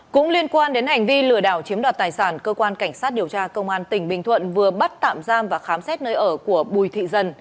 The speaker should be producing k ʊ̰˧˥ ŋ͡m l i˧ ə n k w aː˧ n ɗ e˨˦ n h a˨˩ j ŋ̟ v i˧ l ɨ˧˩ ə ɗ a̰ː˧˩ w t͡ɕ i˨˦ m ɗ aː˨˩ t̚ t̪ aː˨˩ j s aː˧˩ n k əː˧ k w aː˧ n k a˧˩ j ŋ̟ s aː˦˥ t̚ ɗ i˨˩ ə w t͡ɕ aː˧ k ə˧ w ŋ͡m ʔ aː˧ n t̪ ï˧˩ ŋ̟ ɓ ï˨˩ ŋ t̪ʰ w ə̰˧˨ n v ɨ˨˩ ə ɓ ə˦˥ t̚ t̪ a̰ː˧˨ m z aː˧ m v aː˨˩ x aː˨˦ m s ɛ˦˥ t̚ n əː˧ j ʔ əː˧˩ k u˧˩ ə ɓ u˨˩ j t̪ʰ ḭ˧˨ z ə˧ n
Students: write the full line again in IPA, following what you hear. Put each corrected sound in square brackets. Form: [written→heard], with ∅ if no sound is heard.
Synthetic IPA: k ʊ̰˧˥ ŋ͡m l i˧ ə n k w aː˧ n ɗ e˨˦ n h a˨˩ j ŋ̟ v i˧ l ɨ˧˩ ə ɗ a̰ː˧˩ w t͡ɕ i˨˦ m ɗ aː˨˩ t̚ t̪ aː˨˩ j s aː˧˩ n k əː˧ k w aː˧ n k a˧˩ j ŋ̟ s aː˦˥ t̚ ɗ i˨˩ ə w t͡ɕ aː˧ k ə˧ w ŋ͡m ʔ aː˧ n t̪ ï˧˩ ŋ̟ ɓ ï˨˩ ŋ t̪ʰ w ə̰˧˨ n v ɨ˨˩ ə ɓ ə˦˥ t̚ t̪ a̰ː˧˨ m z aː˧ m v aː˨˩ x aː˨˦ m s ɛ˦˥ t̚ n əː˧ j ʔ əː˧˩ k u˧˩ ə ɓ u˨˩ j t̪ʰ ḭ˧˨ z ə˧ n